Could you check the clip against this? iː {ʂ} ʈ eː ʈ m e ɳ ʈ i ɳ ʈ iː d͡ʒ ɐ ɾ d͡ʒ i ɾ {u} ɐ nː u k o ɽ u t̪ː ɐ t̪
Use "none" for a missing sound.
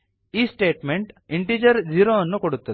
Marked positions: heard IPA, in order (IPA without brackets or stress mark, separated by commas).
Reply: s, o